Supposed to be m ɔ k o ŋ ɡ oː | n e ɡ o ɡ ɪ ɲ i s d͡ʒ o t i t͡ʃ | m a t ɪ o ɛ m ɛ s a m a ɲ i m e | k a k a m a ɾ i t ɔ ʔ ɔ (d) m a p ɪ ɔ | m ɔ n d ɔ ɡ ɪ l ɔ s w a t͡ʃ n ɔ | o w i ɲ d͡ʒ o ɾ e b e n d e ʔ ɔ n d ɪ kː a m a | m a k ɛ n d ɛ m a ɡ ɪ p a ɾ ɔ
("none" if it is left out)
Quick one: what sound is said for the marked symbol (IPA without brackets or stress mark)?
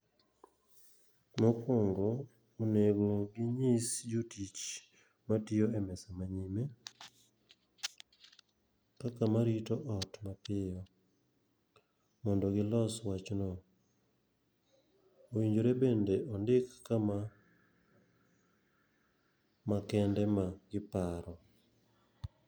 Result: t